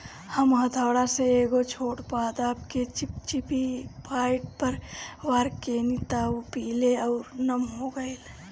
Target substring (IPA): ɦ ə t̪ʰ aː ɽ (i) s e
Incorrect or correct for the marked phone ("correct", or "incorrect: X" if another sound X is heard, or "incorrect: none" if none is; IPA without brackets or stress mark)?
incorrect: a